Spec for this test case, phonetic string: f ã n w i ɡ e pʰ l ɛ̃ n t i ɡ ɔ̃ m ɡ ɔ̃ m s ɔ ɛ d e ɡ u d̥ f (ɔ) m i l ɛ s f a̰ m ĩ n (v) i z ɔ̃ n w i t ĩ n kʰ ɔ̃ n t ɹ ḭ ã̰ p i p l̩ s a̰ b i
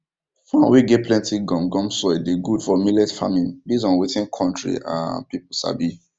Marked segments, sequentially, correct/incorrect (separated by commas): correct, incorrect